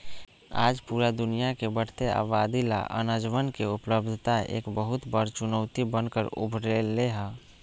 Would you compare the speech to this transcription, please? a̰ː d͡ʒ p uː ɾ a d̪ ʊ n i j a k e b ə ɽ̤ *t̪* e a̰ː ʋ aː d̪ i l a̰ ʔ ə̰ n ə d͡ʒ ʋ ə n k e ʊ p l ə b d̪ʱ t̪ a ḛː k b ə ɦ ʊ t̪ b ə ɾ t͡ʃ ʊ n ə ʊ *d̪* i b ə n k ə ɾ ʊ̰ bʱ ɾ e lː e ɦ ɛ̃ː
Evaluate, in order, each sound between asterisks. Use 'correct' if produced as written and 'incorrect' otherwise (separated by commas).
correct, incorrect